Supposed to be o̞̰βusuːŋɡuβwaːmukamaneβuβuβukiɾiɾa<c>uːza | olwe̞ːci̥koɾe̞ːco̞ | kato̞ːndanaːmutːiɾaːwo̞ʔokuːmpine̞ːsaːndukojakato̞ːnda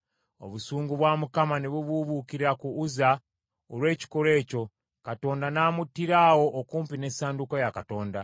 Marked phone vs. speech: incorrect: k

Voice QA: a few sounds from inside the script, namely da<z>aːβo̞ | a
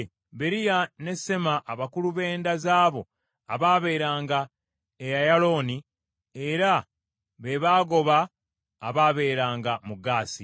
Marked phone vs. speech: correct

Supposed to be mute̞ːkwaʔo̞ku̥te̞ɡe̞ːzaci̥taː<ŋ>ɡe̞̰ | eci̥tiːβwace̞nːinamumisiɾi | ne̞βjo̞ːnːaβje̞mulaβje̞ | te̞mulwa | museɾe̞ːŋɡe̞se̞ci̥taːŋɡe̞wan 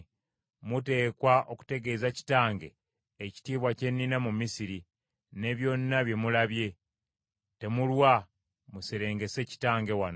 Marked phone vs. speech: correct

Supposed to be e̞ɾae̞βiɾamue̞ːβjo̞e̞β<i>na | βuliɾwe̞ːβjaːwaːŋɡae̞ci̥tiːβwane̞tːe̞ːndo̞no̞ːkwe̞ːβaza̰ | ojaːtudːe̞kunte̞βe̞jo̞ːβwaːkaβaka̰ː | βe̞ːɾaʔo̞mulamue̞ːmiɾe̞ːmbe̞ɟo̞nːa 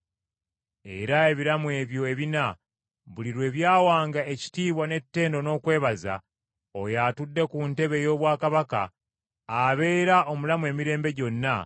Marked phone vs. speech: correct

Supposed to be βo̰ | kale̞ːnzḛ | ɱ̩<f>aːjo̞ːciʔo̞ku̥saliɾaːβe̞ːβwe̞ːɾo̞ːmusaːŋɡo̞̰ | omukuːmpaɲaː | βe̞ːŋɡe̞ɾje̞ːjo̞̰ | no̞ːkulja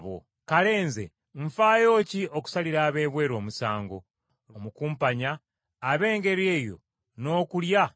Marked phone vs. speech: correct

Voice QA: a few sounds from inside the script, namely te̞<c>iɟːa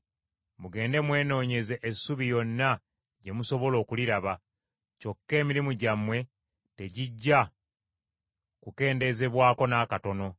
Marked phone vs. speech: incorrect: ɟ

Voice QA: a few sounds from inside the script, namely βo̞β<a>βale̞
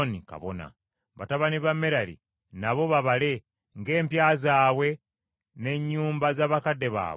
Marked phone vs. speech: correct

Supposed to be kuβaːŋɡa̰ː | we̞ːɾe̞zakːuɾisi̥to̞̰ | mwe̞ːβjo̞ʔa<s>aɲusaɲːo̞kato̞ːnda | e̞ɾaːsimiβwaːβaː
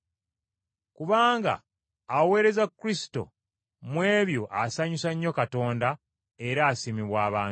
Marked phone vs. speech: correct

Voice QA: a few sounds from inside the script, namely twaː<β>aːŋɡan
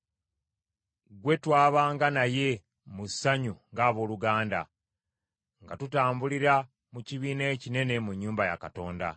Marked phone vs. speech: correct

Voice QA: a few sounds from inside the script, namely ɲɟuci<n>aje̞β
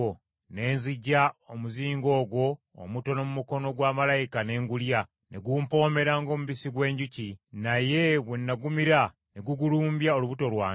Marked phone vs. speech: correct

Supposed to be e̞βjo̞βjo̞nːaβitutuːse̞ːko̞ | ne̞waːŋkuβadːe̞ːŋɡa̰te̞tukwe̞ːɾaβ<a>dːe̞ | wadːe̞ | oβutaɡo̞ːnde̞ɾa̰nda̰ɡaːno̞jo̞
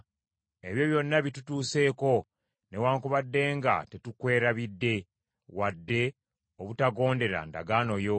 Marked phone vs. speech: incorrect: i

